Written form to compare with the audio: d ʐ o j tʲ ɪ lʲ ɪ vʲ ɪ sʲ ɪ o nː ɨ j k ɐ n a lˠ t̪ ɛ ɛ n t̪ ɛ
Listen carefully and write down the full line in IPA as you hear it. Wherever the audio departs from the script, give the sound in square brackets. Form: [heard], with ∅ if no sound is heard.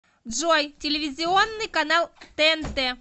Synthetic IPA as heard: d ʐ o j tʲ ɪ lʲ ɪ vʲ ɪ [zʲ] ɪ o nː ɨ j k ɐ n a lˠ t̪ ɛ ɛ n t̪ ɛ